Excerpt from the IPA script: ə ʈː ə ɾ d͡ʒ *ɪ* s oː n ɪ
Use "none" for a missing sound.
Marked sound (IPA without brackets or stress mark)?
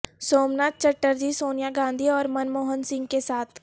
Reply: i